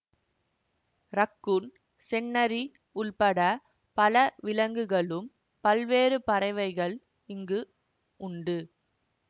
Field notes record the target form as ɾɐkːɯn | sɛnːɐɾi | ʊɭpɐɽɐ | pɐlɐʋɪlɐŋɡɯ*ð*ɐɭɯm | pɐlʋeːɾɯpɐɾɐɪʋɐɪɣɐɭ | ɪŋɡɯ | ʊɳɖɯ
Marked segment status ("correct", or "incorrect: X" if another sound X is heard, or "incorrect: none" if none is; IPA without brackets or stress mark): incorrect: ɣ